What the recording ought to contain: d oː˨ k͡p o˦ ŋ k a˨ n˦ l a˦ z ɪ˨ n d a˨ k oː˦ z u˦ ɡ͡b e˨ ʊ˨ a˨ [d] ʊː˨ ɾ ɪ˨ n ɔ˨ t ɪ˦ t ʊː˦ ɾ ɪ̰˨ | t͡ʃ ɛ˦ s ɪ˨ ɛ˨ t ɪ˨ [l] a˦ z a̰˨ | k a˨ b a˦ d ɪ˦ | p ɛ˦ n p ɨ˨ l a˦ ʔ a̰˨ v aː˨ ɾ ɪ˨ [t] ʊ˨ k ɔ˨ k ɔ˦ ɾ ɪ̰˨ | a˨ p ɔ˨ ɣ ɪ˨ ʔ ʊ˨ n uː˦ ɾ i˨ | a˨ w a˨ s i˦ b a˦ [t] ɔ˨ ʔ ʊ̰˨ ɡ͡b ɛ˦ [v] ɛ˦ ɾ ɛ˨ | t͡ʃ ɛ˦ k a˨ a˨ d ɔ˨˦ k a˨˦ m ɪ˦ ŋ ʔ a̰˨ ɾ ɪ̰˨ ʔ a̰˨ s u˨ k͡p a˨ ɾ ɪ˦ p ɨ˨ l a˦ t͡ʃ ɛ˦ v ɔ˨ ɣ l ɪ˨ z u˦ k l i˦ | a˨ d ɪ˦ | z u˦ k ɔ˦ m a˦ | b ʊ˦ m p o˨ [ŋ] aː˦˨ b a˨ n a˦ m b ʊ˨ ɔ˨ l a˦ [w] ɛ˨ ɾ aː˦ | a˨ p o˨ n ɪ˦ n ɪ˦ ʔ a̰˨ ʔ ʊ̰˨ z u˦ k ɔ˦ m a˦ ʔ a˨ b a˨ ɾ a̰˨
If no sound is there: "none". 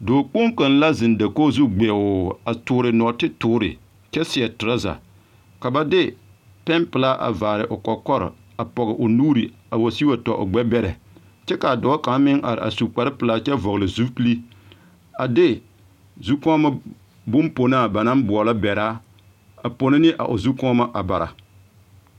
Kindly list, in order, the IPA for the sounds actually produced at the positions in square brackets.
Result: t, ɾ, ʔ, t, b, n, b

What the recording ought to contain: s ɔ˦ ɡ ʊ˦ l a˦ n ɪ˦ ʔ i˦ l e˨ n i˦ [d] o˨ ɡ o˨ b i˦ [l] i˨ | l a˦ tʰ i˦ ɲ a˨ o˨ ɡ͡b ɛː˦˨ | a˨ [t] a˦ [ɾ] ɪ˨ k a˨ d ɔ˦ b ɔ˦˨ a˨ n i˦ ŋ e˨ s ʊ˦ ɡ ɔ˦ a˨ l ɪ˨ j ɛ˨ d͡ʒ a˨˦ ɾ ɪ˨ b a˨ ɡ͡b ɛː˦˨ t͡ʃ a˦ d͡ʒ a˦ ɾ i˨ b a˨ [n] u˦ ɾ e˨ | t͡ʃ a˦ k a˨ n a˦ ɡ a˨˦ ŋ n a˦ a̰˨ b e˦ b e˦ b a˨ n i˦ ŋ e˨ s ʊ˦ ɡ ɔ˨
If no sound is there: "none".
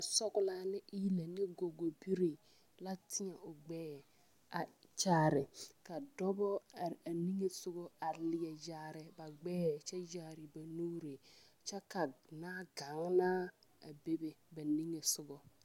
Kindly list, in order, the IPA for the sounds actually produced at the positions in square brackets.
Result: ɡ, ɾ, t͡ʃ, ɾ, n

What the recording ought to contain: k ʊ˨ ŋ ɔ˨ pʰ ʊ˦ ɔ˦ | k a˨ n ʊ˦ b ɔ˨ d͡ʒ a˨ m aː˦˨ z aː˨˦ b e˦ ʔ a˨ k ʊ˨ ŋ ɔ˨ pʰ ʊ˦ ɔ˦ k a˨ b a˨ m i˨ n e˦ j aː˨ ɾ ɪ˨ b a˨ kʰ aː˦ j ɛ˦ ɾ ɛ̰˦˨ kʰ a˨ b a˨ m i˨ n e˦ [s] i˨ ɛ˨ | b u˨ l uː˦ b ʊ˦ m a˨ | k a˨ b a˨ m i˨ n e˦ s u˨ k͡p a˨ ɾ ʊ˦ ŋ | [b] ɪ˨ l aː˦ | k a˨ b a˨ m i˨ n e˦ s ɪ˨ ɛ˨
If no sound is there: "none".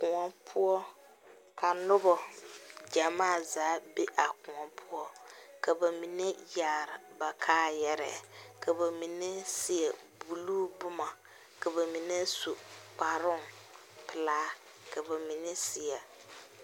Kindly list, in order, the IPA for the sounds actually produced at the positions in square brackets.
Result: s, p

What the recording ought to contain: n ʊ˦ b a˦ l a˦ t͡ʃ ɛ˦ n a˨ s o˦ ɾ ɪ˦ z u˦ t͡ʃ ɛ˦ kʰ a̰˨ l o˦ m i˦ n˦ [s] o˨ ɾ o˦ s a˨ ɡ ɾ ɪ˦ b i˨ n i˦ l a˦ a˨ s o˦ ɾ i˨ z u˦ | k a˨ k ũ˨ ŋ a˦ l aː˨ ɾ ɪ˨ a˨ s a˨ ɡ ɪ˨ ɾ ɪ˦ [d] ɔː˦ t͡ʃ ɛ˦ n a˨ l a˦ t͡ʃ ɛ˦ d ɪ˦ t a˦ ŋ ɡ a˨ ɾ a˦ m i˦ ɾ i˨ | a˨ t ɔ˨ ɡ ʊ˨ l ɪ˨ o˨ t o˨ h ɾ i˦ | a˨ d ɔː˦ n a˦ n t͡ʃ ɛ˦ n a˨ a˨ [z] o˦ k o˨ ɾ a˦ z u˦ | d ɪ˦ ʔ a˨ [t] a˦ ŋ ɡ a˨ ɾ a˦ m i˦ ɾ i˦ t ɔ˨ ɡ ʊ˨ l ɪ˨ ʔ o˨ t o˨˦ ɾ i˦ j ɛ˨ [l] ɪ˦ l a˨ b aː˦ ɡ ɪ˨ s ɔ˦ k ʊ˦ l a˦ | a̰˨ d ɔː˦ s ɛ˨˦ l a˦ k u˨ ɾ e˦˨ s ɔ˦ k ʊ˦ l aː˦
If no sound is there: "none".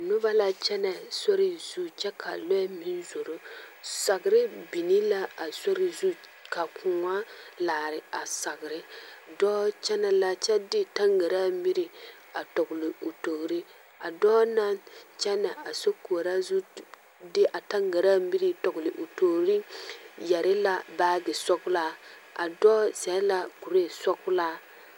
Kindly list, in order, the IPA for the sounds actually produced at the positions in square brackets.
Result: z, d, s, t, ɾ

